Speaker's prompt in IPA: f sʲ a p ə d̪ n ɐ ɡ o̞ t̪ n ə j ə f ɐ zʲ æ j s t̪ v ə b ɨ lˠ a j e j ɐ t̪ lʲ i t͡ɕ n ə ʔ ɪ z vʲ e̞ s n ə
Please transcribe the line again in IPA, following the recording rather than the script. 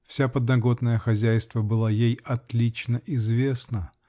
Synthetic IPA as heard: f sʲ a p ə d̪ n ɐ ɡ o̞ t̪ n ə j ə x ɐ zʲ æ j s t̪ v ə b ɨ lˠ a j e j ɐ t̪ lʲ i t͡ɕ n ə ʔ ɪ z vʲ e̞ s n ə